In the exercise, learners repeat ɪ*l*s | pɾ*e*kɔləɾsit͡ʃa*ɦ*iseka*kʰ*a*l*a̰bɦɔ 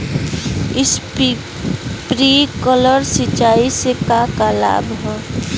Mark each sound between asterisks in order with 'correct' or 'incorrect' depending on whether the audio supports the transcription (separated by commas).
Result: incorrect, incorrect, incorrect, incorrect, correct